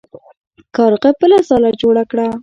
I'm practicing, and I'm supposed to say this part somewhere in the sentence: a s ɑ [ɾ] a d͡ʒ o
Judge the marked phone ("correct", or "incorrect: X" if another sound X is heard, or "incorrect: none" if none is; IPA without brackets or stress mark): incorrect: l